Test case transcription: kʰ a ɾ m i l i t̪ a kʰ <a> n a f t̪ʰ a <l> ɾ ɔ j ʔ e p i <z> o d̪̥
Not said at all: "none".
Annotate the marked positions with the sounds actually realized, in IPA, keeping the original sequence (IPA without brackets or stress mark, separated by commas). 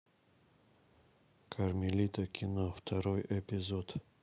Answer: i, none, z